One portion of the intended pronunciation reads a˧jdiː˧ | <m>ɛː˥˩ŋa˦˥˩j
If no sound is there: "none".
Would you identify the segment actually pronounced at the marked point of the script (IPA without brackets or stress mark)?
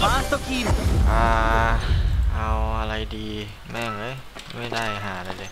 m